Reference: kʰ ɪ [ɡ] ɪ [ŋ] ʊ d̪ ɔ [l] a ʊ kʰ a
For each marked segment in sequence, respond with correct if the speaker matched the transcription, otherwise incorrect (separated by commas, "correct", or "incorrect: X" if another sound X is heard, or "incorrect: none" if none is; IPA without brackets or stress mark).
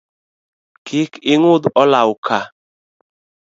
incorrect: k, correct, correct